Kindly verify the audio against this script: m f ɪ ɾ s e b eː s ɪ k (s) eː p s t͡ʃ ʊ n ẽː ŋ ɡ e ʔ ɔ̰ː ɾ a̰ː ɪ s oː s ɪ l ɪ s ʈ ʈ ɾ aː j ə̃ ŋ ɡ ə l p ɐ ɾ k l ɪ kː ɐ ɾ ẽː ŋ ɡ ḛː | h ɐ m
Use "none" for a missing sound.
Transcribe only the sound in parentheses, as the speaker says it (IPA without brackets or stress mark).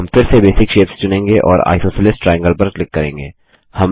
ʃ